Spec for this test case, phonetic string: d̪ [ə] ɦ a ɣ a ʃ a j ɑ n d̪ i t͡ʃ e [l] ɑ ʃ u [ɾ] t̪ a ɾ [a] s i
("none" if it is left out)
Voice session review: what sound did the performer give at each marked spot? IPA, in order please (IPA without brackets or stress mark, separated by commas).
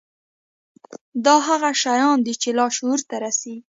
ɑ, l, ɾ, a